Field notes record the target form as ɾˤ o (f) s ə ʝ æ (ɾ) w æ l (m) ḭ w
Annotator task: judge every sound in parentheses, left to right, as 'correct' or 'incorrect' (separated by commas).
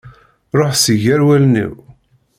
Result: incorrect, correct, incorrect